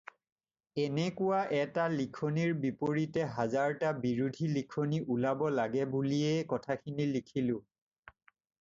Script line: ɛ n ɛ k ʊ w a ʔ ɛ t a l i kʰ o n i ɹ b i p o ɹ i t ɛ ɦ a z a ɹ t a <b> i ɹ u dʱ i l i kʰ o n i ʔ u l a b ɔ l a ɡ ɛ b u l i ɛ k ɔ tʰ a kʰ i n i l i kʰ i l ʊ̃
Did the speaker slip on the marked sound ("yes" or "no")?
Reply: no